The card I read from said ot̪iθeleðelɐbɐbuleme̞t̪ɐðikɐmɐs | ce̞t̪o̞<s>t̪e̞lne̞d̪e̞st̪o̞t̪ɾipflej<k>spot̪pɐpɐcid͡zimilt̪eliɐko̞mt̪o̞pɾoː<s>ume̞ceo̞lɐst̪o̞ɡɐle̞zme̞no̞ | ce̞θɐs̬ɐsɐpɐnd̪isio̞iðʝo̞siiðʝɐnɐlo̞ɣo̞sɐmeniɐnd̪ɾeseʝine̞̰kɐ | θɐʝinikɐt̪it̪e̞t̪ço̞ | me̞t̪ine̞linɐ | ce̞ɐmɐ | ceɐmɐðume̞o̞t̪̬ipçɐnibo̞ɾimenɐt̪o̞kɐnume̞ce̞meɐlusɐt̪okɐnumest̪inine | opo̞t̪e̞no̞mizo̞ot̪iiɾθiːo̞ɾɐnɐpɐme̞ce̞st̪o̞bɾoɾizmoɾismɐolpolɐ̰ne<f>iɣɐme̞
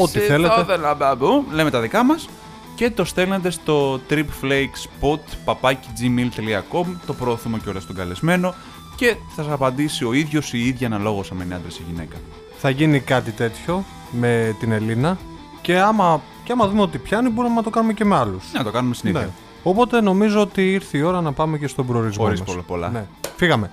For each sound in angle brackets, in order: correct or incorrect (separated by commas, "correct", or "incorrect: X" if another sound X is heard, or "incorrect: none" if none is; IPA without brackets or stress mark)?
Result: correct, correct, incorrect: θ, correct